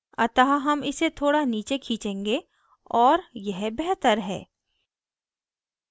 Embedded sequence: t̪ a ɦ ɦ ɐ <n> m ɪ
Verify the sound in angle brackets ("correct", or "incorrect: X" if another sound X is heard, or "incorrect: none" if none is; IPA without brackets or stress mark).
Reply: incorrect: none